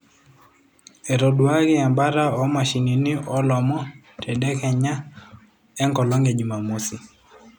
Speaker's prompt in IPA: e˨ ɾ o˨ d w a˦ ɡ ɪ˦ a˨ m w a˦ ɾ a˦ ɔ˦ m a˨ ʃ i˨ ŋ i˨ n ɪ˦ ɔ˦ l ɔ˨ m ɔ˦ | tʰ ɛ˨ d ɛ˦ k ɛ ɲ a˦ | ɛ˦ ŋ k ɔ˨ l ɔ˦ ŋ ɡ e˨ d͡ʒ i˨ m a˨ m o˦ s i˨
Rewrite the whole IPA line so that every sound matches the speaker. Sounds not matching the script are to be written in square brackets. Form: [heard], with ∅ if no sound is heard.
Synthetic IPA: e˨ ɾ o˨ d w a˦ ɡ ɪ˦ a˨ m [b] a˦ ɾ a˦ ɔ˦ m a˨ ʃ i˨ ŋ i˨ n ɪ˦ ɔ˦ l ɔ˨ m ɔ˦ | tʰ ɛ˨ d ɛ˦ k ɛ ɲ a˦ | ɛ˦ ŋ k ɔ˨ l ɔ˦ ŋ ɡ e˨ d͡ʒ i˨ m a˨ m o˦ s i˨